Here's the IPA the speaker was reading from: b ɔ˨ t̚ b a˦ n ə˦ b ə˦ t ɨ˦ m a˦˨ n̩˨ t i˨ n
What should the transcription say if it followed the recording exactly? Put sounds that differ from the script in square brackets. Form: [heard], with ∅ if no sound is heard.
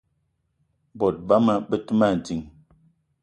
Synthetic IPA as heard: b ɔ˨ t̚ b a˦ [m] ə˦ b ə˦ t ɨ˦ m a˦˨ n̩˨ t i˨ [ŋ]